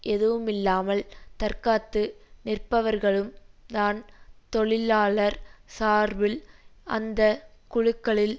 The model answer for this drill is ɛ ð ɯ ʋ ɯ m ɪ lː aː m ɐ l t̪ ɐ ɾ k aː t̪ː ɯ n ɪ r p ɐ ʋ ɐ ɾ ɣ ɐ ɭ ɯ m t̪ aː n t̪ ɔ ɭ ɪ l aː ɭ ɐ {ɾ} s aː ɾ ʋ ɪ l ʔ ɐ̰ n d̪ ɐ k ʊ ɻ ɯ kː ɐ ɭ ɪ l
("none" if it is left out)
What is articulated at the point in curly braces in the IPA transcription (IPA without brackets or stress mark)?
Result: ɾ